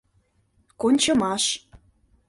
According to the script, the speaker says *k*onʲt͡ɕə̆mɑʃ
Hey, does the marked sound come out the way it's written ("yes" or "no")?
yes